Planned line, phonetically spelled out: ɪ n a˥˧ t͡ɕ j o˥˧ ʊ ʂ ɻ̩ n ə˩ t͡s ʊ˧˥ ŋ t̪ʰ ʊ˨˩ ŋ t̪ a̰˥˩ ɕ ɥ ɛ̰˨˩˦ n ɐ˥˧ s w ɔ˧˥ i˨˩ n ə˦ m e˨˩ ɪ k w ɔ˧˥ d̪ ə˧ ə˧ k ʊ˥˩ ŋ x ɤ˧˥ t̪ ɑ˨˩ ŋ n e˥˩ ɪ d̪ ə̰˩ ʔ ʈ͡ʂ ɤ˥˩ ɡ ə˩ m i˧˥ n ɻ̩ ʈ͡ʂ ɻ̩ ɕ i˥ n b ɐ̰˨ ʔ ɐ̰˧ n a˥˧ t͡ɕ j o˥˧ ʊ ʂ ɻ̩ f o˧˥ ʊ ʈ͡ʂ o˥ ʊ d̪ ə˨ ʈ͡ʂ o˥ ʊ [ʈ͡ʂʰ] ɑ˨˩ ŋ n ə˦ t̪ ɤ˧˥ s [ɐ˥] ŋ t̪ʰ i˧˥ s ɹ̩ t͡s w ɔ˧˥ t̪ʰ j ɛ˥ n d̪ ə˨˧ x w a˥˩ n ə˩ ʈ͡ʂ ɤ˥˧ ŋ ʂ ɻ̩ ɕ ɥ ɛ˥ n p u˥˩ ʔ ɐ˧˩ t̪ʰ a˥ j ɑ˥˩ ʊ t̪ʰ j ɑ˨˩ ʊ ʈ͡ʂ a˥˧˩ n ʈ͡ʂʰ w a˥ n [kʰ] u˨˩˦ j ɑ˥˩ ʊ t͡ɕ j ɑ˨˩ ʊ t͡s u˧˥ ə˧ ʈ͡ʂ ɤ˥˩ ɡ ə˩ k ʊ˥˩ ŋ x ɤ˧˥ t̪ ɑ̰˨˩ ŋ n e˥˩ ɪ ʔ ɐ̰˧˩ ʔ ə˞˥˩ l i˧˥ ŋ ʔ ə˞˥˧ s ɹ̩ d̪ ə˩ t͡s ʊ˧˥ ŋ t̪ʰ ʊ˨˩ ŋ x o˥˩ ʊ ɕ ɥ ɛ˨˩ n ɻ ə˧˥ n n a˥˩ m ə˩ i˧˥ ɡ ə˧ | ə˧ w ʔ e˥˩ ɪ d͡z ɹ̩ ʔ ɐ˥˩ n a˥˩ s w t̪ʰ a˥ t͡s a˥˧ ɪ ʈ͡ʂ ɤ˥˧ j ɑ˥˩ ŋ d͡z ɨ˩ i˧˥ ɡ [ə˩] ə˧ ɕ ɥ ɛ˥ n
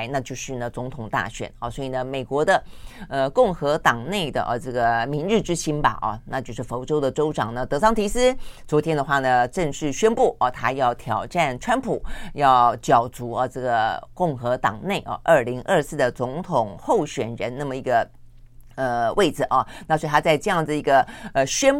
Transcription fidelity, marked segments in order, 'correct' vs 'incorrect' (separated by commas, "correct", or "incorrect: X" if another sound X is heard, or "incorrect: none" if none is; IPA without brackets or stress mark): incorrect: ʈ͡ʂ, incorrect: ɑ˥, incorrect: pʰ, incorrect: ə˧